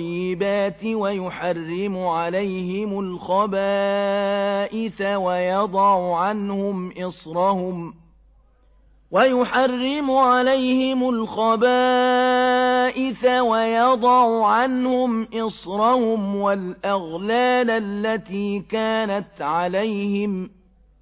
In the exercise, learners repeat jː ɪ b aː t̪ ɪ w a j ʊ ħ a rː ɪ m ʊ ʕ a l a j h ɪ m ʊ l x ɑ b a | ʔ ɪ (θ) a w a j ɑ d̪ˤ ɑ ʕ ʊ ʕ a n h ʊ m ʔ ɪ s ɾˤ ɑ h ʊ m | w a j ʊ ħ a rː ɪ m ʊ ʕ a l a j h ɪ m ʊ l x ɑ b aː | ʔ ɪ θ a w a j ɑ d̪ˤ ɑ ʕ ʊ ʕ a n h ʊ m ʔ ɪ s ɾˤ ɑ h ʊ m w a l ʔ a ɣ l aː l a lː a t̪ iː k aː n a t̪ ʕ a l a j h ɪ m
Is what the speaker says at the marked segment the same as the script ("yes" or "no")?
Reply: yes